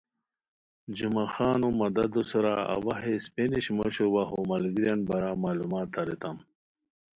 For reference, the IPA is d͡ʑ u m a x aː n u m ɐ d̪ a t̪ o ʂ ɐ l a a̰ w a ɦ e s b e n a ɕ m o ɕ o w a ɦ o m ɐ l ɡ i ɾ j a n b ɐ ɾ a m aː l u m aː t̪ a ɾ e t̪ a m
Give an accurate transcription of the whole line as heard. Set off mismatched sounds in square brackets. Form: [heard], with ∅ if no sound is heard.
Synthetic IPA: d͡ʑ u m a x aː n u m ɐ d̪ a [d̪] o [s] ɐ [ɾ] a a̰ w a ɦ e s [p] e n [i] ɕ m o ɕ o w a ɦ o m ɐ l ɡ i ɾ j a n b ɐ ɾ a m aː l u m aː t̪ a ɾ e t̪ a m